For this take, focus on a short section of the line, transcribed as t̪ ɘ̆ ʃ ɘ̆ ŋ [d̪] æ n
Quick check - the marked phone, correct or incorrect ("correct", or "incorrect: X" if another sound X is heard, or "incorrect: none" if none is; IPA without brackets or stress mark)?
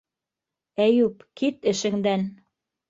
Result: correct